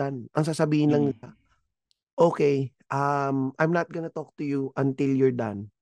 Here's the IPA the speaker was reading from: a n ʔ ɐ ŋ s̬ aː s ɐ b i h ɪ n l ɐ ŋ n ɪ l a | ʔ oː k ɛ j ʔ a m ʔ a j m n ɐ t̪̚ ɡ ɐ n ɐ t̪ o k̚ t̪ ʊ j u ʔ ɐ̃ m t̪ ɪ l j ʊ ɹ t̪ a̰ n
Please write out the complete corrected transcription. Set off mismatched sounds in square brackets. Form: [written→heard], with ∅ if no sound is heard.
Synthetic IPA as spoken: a n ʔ ɐ ŋ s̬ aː s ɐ b [i→iː] h ɪ n l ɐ ŋ n ɪ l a | ʔ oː k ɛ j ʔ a m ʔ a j m n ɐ t̪̚ ɡ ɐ n ɐ t̪ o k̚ t̪ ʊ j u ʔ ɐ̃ [m→n] t̪ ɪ l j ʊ ɹ [t̪→d̪] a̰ n